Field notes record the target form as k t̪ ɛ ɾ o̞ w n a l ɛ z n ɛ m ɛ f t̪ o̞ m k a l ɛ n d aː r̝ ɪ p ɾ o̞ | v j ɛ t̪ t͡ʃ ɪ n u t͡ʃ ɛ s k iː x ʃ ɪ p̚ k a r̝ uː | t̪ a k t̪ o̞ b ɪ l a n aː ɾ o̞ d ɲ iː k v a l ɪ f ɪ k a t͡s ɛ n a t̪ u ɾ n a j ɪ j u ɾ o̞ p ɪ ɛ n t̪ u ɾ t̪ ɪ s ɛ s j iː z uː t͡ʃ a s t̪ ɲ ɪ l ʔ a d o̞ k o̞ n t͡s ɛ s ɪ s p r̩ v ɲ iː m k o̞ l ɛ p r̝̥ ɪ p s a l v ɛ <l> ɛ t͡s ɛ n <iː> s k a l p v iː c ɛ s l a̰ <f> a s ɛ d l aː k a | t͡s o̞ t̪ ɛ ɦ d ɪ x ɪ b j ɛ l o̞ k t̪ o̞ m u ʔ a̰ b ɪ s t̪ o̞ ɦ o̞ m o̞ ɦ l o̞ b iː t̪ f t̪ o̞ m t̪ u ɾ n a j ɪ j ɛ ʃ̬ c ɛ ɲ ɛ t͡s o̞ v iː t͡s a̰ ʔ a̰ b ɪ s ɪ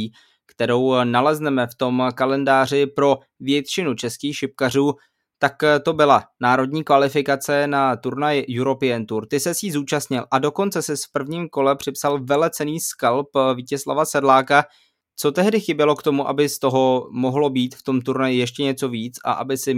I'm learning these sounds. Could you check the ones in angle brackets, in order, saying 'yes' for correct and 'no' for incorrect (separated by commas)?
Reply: yes, yes, no